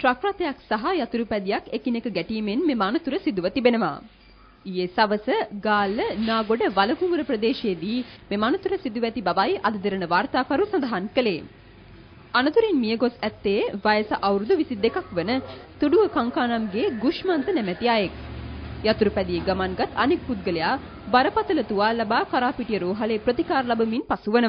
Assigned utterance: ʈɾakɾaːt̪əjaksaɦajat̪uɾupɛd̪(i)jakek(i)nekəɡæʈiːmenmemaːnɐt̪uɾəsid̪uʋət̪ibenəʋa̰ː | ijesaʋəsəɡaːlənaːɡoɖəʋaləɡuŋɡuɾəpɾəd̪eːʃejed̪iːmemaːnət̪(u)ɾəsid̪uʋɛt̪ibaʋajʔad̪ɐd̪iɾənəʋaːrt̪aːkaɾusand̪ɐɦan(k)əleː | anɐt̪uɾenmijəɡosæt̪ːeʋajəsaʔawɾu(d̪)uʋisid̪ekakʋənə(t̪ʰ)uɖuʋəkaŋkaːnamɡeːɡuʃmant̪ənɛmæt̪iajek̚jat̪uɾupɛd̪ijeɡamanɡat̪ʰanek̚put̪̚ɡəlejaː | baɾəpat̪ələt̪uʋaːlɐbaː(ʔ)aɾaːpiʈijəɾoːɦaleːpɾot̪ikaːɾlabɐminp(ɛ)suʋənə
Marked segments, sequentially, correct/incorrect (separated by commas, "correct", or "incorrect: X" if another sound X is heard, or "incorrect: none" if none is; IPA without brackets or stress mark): correct, correct, correct, correct, correct, incorrect: t̪, incorrect: k, incorrect: a